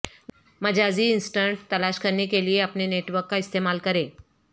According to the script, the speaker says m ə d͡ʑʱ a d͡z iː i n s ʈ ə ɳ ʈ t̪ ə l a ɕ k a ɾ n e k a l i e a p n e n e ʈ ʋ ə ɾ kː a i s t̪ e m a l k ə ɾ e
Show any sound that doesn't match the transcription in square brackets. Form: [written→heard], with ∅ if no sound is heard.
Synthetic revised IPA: m ə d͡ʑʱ a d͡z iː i n s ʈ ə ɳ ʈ t̪ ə l a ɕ k [a→ə] ɾ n e k [a→e] l i e a p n e n e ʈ ʋ ə ɾ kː a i s t̪ e m a l k ə ɾ e